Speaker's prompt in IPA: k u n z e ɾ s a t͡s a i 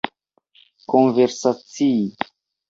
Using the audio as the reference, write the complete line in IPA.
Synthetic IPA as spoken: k o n v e ɾ s a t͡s i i